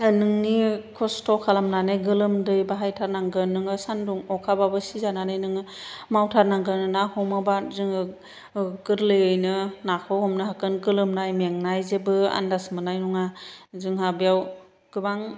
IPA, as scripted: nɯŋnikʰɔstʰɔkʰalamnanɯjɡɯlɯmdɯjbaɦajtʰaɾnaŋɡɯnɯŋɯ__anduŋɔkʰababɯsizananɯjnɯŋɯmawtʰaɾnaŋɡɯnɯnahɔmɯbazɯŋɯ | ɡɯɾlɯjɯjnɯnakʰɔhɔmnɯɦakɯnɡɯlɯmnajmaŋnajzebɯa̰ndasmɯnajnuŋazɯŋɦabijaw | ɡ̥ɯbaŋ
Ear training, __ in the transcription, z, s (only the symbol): s